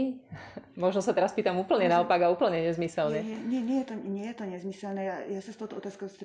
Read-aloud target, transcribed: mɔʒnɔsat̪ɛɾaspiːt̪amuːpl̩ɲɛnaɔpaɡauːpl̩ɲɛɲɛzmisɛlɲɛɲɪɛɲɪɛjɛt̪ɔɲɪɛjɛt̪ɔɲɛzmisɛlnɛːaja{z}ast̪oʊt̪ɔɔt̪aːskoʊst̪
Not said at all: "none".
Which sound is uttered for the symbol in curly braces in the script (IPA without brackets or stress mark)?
s